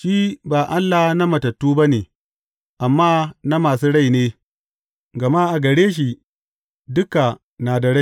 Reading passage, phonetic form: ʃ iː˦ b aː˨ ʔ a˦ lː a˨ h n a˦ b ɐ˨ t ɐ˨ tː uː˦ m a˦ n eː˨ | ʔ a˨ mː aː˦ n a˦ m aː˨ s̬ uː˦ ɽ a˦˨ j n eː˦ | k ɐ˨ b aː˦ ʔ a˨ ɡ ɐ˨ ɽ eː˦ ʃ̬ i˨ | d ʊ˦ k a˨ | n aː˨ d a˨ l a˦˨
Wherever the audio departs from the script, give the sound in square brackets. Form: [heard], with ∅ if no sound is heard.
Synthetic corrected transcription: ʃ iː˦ b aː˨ ʔ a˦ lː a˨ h n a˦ [m] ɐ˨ t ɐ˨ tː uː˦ [b] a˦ n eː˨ | ʔ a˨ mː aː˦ n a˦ m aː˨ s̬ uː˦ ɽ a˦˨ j n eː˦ | [ɡ] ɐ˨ [m] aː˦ ʔ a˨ ɡ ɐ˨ ɽ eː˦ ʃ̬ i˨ | d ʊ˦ k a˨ | n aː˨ d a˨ [ɽ] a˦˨